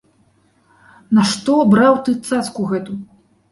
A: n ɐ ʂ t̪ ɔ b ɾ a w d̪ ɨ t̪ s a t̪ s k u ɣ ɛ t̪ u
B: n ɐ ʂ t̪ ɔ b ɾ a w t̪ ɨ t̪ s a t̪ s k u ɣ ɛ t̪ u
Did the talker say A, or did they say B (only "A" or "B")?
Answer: B